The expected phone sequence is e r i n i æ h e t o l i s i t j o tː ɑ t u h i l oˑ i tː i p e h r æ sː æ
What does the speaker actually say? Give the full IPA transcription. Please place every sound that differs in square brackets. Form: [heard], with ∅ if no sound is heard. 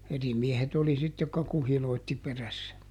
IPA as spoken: e r i [m] i [e] h e t o l i s i t j o [kː] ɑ [k] u h i l oˑ i tː i p e [∅] r æ sː æ